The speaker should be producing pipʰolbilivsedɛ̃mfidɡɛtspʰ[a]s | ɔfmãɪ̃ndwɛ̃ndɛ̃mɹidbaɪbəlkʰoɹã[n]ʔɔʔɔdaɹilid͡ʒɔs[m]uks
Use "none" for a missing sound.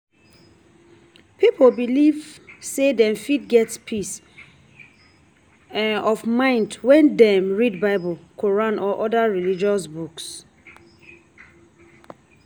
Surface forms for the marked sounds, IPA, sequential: i, n, b

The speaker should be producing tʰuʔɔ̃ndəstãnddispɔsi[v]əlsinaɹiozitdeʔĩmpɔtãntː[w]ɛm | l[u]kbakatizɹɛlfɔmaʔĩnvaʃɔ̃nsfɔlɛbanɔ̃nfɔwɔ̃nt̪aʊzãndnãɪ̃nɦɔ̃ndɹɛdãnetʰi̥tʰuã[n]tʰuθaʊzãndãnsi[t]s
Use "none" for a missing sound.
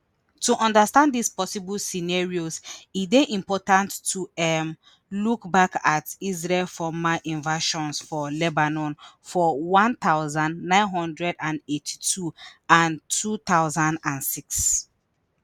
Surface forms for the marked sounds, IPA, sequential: b, u, u, n, k

